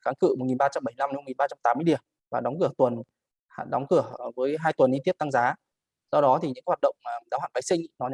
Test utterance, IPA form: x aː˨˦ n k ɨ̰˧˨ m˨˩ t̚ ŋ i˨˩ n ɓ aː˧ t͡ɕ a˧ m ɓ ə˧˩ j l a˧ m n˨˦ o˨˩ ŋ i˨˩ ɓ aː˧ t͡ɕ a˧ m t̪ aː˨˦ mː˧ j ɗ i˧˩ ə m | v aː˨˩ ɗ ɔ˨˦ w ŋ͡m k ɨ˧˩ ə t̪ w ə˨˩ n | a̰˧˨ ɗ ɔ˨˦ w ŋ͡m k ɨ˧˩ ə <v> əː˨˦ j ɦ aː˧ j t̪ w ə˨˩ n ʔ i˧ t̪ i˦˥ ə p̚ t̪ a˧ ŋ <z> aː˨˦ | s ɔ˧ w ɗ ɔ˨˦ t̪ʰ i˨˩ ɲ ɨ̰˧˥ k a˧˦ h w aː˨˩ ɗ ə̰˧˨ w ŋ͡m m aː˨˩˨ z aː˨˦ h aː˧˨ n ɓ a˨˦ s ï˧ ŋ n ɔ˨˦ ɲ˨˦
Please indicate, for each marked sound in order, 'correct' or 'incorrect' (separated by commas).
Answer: correct, correct